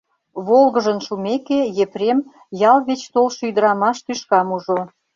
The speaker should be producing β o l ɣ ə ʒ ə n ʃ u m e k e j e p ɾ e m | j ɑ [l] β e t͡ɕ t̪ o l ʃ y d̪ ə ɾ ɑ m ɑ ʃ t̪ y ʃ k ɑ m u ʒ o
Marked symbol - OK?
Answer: yes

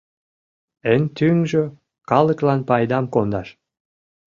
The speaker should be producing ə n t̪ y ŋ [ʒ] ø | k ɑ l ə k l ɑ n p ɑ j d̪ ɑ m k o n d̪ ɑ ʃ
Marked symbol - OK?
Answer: yes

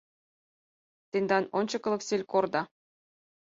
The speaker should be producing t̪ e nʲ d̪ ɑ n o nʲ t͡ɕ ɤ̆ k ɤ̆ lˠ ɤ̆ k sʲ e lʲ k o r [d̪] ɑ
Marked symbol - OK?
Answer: yes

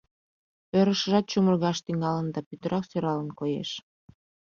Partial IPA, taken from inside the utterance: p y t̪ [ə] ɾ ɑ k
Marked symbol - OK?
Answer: yes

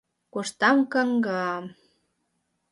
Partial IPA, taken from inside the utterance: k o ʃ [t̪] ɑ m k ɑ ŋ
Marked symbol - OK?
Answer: yes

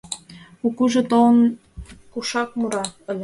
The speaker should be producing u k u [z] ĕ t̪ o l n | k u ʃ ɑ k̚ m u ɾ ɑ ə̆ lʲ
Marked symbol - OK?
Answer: no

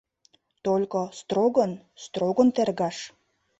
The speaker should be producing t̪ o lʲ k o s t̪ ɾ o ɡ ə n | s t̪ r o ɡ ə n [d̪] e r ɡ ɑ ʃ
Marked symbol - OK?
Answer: no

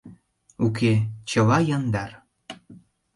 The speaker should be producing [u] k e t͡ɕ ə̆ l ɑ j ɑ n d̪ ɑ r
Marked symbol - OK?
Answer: yes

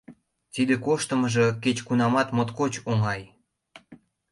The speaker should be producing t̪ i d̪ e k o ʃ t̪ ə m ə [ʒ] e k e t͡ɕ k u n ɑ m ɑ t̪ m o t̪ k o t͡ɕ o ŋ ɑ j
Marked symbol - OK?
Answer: yes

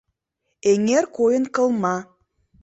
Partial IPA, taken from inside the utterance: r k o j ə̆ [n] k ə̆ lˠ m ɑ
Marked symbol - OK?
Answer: yes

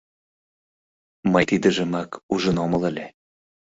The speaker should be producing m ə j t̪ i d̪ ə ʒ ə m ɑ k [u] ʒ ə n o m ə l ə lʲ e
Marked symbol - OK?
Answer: yes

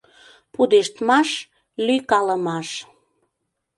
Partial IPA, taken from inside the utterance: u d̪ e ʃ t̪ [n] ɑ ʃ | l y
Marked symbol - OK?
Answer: no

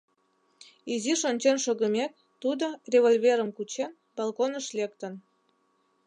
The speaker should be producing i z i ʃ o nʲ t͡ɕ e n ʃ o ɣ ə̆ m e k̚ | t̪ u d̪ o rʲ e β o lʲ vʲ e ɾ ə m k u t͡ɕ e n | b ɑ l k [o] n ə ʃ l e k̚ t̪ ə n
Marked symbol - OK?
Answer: yes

